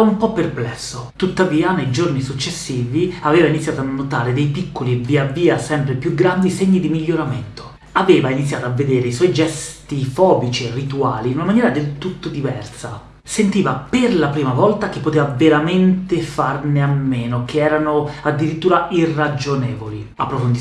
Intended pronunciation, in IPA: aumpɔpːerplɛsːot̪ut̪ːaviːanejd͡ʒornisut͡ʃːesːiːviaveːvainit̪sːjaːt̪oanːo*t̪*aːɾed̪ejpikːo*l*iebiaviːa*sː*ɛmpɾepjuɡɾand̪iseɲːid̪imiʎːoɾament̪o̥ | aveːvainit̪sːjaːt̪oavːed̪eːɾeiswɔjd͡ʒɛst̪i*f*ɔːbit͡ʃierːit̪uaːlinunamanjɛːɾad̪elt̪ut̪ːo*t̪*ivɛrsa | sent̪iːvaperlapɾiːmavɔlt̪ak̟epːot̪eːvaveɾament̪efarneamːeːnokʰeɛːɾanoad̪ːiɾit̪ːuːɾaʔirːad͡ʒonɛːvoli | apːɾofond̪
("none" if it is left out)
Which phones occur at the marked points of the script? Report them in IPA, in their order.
t̪, l, s, f, d̪

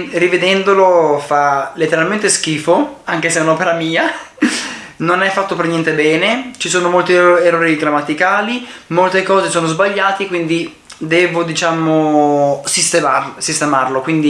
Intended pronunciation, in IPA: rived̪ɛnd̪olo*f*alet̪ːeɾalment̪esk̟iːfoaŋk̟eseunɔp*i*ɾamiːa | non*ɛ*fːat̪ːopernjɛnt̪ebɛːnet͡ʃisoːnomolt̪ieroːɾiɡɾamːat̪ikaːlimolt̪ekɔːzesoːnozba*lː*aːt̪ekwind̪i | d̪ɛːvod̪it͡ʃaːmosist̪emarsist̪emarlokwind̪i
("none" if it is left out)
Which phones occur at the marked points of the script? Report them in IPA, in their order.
f, e, ɛ, ʎː

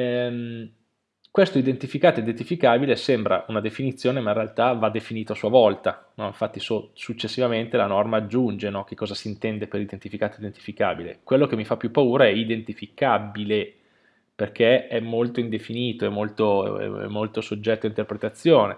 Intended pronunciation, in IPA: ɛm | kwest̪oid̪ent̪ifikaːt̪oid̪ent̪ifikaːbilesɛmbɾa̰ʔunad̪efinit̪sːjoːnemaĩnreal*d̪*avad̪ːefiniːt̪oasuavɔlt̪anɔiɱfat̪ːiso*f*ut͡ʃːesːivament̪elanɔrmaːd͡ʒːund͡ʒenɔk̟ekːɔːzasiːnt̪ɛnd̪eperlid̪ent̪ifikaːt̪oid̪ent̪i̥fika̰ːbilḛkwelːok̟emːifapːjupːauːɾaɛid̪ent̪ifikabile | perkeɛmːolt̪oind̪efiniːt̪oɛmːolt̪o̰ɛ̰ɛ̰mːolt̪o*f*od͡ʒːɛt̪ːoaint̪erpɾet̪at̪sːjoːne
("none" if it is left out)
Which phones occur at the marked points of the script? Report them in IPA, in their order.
t̪, s, s

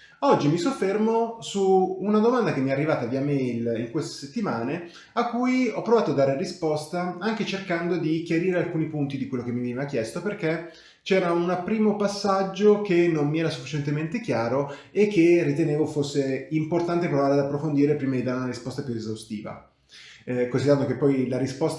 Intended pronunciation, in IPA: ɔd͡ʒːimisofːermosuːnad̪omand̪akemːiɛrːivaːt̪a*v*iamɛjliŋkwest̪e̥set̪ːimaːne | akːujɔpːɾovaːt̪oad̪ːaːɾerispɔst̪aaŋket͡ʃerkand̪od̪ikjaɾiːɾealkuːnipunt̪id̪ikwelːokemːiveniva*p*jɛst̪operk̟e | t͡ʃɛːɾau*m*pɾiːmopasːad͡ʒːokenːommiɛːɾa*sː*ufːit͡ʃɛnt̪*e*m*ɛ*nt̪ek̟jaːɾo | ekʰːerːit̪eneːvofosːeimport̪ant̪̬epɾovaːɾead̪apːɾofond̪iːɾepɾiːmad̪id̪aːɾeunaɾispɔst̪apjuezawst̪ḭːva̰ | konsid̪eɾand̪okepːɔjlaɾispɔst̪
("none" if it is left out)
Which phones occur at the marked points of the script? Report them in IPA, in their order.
v, k, n, s, e, e

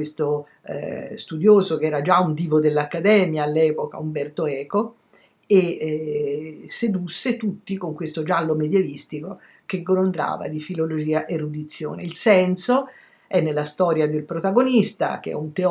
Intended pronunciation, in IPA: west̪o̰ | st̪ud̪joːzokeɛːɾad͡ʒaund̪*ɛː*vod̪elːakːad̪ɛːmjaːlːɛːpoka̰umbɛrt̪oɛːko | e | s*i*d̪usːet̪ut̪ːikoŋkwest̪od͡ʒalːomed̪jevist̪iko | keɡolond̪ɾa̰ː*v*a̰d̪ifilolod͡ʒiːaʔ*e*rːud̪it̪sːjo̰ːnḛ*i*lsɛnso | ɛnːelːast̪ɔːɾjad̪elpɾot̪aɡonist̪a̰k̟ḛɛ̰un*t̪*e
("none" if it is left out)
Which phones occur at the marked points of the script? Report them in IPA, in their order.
iː, e, v, e, i, t̪

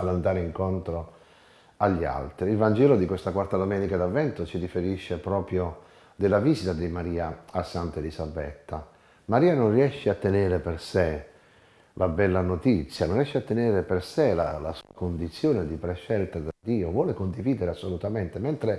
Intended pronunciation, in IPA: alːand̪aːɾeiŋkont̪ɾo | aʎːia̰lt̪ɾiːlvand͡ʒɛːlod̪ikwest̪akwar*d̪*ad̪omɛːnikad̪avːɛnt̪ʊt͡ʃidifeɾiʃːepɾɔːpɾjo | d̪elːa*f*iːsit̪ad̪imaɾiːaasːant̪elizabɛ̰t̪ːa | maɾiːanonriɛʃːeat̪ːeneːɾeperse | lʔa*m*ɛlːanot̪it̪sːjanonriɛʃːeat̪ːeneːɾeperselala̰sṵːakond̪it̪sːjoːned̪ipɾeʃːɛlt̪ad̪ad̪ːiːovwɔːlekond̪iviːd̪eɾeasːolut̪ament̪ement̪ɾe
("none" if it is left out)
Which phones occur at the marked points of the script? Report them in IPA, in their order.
t̪, v, b

